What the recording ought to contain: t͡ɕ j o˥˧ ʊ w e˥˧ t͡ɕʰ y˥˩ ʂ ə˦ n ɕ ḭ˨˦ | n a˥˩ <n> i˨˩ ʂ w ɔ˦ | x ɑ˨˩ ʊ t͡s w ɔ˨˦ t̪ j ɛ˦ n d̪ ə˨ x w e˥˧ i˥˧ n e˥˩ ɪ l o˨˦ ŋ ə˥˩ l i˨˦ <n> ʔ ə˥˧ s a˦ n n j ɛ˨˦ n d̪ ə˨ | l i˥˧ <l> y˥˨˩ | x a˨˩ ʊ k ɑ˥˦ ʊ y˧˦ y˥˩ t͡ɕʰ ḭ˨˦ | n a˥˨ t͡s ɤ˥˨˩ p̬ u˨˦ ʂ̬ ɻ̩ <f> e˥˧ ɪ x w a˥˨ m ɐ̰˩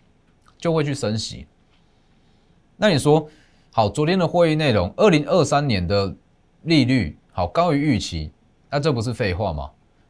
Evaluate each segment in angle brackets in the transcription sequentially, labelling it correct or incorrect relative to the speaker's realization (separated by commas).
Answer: correct, incorrect, correct, correct